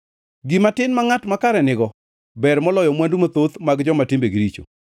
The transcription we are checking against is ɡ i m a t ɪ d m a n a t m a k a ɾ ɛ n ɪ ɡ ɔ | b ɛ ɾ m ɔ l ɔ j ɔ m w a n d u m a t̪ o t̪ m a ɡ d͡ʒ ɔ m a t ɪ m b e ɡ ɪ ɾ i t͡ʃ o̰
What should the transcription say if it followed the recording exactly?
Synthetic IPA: ɡ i m a t ɪ n m a ŋ a t m a k a ɾ ɛ n ɪ ɡ ɔ | b ɛ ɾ m ɔ l ɔ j ɔ m w a n d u m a t̪ o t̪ m a ɡ d͡ʒ ɔ m a t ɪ m b e ɡ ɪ ɾ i t͡ʃ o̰